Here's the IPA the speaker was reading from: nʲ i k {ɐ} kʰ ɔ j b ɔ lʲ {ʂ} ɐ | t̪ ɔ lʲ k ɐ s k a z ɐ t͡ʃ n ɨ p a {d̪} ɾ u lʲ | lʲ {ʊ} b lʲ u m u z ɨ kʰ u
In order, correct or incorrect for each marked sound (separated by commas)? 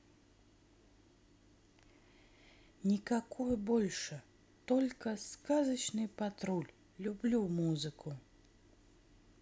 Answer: incorrect, correct, incorrect, incorrect